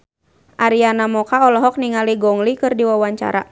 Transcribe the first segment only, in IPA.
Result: ʔ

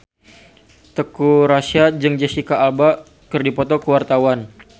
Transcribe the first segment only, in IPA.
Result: t̪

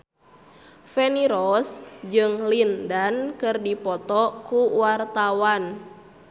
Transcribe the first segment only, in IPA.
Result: f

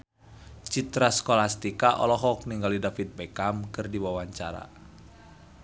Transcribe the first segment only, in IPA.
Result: t͡ʃ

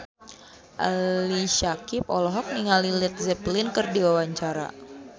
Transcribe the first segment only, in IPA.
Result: ʔ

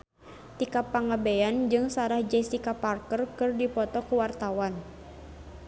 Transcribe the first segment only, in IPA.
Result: t̪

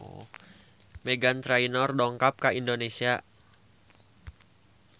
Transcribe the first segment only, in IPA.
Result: m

